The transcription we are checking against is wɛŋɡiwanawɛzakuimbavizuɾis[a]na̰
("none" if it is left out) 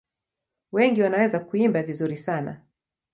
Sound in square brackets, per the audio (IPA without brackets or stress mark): a